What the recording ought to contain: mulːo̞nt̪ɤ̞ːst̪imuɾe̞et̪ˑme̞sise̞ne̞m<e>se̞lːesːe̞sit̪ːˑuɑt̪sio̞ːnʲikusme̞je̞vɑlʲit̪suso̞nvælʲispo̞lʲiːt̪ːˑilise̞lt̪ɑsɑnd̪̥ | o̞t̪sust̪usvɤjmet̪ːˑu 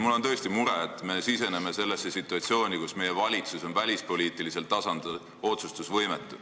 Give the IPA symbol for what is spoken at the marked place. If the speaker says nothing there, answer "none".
e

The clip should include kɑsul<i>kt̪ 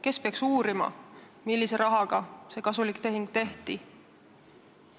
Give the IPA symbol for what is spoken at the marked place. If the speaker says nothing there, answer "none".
i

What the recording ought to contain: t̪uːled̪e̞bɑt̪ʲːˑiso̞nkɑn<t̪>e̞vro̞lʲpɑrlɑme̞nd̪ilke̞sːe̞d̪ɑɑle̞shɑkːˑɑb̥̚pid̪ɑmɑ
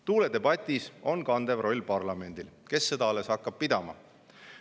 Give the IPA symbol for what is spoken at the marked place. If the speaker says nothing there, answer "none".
d̪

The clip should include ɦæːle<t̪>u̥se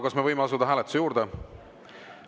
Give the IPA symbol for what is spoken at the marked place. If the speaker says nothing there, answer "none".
t̪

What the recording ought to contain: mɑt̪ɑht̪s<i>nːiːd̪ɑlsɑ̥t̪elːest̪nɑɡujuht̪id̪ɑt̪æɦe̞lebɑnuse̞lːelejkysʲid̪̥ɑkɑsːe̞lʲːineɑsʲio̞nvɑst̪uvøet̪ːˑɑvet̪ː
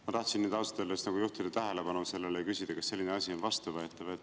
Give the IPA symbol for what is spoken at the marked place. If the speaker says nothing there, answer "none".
i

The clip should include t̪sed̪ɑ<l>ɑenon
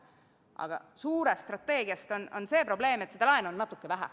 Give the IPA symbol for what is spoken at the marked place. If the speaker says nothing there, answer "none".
l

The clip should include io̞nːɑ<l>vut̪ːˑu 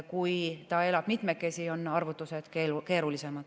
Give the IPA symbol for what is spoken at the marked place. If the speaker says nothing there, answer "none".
r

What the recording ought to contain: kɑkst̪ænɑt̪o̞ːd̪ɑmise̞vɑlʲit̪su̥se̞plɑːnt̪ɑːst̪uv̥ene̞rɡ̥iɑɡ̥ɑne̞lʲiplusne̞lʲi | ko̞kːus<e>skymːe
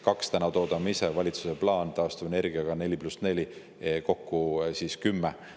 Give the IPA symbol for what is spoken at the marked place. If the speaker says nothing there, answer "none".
i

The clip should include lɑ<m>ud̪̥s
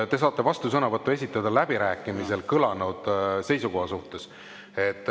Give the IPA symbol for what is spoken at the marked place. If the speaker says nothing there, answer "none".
n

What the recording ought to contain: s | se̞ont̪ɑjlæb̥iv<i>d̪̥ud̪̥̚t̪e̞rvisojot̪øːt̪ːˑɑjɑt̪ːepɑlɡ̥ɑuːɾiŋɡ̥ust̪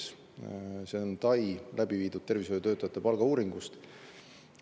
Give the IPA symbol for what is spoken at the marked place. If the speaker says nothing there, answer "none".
iː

